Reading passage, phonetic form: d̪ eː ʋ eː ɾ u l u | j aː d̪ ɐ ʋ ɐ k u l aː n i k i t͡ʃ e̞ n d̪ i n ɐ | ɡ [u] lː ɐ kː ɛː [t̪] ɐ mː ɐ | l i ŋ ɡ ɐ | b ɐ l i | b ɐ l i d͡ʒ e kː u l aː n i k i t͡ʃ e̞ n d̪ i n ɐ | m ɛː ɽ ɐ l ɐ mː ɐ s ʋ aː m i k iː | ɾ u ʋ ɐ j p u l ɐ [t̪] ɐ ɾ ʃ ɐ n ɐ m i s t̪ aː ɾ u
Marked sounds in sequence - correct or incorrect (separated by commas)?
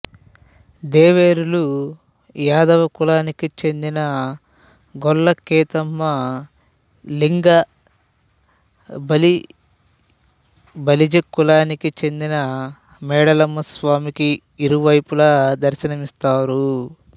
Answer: incorrect, correct, incorrect